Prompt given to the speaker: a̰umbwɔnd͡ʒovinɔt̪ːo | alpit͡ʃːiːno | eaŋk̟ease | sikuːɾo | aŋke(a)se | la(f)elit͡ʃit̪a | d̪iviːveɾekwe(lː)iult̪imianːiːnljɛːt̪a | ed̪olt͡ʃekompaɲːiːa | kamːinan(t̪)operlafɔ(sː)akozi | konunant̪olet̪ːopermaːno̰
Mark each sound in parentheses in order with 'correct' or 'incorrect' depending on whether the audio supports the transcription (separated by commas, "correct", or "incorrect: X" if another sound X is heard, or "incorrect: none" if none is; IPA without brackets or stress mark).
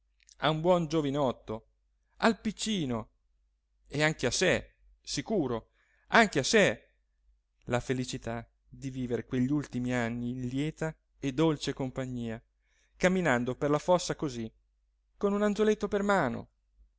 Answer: correct, correct, incorrect: ʎː, incorrect: d̪, correct